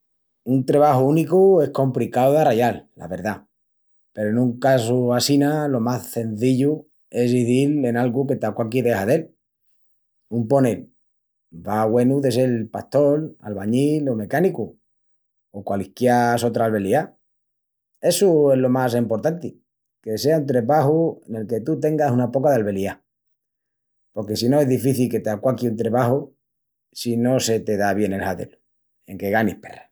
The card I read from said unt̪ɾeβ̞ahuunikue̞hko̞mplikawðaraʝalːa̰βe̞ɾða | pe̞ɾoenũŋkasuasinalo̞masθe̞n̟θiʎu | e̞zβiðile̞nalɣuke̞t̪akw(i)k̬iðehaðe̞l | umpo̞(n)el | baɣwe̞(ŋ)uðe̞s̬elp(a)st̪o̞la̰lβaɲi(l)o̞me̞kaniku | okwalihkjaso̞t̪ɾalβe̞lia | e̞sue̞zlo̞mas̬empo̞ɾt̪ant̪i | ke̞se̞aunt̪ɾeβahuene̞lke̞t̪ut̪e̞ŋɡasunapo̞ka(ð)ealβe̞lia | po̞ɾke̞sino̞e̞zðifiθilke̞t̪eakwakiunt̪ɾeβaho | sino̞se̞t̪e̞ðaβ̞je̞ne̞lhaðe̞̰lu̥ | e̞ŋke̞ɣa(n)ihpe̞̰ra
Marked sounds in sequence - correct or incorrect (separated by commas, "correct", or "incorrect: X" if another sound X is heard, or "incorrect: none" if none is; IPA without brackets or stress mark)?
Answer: incorrect: a, correct, incorrect: n, correct, correct, correct, correct